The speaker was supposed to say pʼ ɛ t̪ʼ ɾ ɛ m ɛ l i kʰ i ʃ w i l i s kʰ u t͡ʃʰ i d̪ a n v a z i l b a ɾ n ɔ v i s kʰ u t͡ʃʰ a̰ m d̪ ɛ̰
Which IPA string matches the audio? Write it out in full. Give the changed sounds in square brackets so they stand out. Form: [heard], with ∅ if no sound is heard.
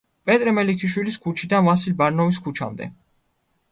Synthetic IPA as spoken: pʼ ɛ t̪ʼ ɾ ɛ m ɛ l i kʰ i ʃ w i l i s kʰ u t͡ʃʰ i d̪ a n v a [s] i l b a ɾ n ɔ v i s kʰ u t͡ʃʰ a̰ m d̪ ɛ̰